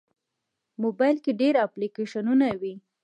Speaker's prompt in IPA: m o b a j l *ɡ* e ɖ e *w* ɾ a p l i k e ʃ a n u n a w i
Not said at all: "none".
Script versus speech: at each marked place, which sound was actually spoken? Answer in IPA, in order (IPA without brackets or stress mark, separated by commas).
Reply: k, none